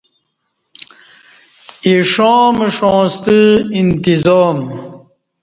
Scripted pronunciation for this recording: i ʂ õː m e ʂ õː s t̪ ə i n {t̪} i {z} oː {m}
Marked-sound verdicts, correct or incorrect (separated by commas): correct, correct, correct